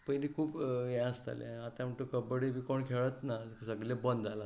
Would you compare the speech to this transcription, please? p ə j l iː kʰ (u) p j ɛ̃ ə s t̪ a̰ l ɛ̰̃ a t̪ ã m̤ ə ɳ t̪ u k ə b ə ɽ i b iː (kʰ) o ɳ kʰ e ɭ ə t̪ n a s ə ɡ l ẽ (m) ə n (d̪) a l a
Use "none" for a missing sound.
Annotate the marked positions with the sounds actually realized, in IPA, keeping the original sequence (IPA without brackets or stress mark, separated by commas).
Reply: uː, k, b, d̪